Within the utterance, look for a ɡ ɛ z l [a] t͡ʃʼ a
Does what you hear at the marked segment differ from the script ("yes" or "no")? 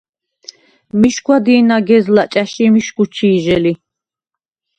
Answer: no